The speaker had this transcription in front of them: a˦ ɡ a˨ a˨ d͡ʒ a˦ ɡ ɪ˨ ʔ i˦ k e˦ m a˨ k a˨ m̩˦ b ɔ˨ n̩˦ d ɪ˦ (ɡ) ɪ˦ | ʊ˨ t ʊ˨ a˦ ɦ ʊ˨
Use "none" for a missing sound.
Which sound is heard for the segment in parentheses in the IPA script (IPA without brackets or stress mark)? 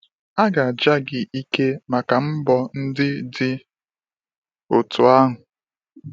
d